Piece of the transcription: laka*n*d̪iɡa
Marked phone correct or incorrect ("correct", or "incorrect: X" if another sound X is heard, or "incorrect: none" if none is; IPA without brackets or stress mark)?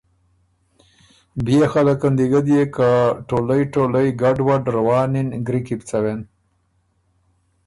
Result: correct